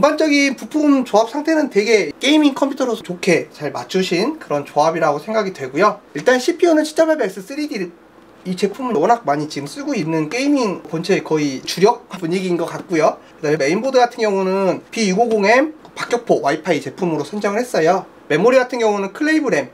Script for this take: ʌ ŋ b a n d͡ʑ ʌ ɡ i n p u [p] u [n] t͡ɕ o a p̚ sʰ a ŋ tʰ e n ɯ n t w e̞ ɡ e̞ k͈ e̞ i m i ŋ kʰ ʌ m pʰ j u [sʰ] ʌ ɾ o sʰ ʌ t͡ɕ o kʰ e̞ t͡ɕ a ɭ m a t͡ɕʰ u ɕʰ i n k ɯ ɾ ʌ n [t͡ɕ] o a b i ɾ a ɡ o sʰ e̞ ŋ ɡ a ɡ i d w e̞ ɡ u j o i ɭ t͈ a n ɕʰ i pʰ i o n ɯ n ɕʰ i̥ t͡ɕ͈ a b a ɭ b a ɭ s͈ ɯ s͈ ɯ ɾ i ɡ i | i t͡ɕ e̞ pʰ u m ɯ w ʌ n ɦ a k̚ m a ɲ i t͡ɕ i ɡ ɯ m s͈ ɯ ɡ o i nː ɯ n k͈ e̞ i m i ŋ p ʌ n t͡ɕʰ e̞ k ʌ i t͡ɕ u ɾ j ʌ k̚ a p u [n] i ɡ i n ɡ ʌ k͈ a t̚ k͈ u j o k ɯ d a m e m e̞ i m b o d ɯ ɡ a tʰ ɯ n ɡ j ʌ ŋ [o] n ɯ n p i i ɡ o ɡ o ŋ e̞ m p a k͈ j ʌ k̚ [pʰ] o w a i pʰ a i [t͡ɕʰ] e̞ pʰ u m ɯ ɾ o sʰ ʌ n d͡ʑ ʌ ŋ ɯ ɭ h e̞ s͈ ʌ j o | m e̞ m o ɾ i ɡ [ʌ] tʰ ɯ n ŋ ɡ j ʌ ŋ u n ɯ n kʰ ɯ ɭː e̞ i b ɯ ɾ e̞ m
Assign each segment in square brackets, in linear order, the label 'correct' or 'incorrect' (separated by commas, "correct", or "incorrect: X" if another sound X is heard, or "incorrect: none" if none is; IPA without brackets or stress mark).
incorrect: pʰ, incorrect: m, incorrect: tʰ, correct, incorrect: ɲ, incorrect: u, correct, incorrect: t͡ɕ, incorrect: a